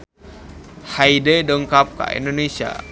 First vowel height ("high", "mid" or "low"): low